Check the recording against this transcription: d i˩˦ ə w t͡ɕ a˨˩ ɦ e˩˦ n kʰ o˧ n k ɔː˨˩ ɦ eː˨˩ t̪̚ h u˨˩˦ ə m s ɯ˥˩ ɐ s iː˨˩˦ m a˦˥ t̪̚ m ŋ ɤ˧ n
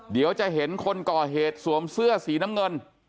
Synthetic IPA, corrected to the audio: d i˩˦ ə w t͡ɕ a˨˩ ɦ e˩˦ n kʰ o˧ n k ɔː˨˩ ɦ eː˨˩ t̪̚ s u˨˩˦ ə m s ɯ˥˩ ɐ s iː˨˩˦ n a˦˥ m ŋ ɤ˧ n